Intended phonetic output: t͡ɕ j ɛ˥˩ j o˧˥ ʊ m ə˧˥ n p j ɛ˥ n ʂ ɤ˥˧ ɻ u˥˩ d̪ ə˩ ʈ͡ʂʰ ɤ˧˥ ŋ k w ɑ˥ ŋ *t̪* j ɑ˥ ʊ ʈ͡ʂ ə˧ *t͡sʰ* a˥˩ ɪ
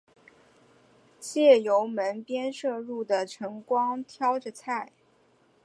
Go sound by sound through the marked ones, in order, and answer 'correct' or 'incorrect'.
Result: incorrect: t̪ʰ, correct

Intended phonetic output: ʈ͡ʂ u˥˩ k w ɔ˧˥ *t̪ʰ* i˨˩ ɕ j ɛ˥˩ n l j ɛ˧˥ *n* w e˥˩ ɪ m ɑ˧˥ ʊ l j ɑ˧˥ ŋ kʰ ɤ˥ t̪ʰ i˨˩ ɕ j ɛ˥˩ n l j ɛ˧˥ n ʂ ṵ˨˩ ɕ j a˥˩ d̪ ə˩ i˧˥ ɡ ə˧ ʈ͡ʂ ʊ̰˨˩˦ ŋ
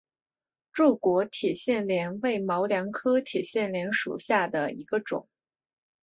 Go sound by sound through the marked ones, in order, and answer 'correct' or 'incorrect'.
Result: correct, correct

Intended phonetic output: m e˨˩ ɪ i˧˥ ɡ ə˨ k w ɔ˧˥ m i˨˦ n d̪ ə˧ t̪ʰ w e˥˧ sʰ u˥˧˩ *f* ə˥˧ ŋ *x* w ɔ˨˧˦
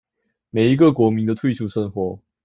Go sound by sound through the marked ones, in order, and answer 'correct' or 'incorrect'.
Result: incorrect: ʂ, correct

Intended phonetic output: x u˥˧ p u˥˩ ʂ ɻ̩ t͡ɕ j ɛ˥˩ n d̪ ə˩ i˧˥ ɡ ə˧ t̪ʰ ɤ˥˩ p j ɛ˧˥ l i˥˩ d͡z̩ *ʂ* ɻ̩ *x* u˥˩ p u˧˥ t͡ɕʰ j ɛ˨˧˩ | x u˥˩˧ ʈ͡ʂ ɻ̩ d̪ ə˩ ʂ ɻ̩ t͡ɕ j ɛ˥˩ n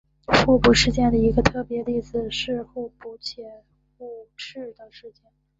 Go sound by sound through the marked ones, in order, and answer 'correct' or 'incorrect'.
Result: correct, correct

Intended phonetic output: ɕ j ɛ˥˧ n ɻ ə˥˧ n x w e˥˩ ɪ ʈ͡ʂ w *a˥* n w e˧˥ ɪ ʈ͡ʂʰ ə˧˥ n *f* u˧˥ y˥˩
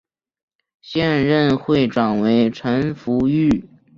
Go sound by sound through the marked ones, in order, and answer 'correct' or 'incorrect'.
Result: incorrect: a˨˩, correct

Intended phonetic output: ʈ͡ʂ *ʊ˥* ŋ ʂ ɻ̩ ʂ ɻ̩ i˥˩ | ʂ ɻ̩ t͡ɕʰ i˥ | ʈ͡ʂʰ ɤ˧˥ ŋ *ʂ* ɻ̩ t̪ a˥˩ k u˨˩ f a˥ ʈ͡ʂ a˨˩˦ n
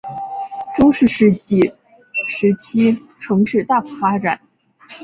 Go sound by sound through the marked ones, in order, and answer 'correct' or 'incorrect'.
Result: correct, correct

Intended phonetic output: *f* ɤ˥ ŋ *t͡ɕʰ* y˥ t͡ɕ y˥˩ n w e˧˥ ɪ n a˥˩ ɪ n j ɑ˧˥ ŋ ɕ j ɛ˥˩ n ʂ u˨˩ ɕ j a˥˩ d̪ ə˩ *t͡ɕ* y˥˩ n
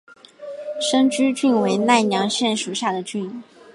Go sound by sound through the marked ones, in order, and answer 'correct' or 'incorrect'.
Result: incorrect: ʂ, incorrect: t͡ɕ, correct

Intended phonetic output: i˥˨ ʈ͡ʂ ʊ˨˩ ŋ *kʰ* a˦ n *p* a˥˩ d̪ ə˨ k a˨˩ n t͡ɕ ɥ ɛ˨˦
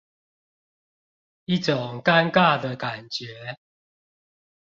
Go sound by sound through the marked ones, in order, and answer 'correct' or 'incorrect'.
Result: incorrect: k, incorrect: k

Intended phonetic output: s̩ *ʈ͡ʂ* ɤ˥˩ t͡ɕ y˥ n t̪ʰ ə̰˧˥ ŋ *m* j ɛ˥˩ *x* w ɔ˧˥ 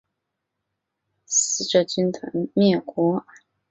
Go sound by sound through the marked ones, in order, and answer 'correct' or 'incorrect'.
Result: correct, correct, incorrect: k

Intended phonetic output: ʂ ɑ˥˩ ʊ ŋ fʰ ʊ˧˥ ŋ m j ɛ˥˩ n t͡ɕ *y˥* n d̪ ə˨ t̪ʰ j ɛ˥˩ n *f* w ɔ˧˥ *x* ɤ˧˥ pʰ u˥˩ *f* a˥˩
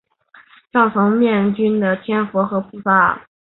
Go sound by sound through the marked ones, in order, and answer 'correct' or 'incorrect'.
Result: correct, correct, correct, correct

